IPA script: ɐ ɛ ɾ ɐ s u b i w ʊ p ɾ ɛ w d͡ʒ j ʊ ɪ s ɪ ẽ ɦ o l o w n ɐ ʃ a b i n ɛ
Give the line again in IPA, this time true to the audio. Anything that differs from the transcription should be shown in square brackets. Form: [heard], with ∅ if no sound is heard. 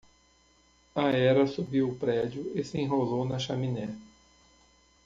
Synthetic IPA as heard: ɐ ɛ ɾ ɐ s u b i w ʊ p ɾ ɛ [∅] d͡ʒ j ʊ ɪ s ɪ ẽ ɦ o l o w n ɐ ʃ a [m] i n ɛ